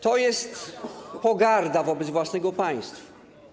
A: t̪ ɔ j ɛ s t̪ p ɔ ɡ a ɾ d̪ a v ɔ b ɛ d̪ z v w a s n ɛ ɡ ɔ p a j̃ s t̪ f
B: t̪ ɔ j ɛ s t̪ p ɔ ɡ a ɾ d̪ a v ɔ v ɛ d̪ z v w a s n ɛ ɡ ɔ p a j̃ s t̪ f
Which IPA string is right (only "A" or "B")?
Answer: A